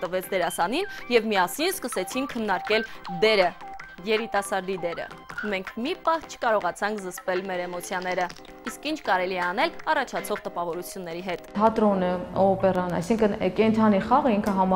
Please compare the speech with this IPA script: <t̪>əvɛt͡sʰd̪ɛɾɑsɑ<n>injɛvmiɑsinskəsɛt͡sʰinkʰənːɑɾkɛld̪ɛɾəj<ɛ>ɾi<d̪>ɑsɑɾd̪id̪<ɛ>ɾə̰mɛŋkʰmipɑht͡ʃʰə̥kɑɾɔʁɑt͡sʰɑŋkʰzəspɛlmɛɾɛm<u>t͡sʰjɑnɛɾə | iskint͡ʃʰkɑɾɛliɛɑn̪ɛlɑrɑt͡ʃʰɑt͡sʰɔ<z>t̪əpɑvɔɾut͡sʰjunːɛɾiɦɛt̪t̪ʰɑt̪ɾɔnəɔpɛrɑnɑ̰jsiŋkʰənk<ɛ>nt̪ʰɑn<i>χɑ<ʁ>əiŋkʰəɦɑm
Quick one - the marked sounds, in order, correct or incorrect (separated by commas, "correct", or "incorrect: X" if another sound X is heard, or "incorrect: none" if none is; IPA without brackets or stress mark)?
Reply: correct, correct, correct, incorrect: t̪, correct, incorrect: ɔ, incorrect: ʁ, correct, correct, correct